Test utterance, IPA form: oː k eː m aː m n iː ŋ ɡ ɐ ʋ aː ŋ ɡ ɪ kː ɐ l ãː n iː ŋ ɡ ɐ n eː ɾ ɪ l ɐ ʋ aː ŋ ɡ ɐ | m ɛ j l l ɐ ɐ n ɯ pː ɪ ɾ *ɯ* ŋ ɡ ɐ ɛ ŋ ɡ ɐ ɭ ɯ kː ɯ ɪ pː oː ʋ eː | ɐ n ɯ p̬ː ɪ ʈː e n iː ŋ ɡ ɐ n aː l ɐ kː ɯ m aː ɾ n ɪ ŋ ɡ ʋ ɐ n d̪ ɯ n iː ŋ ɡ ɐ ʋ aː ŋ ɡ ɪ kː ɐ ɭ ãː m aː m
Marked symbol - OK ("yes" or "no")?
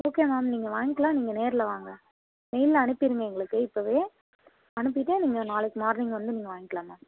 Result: yes